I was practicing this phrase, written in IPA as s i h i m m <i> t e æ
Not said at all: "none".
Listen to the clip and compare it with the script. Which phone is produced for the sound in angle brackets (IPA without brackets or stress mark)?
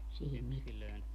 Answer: i